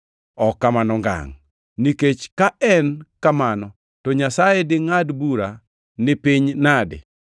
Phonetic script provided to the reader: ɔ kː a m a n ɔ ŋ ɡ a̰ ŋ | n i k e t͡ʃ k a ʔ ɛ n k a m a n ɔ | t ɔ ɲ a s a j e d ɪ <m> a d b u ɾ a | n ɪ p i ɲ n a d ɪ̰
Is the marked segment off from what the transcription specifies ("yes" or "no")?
yes